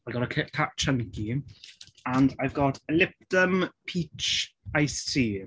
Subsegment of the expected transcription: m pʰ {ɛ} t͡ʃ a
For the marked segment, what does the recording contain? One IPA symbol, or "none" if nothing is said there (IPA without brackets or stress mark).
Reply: i